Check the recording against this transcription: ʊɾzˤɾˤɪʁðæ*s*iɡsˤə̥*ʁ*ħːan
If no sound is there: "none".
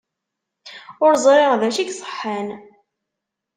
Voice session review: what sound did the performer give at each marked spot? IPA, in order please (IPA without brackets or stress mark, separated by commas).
ʃ, none